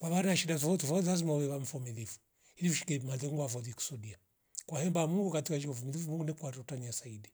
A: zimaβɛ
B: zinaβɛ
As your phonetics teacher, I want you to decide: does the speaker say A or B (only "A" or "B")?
A